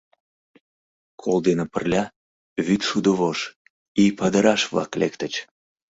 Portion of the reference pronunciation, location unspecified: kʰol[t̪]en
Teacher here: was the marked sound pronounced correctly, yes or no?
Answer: no